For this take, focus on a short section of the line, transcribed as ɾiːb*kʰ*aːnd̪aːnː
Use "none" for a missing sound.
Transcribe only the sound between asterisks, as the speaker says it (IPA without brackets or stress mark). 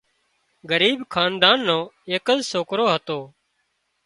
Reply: kʰ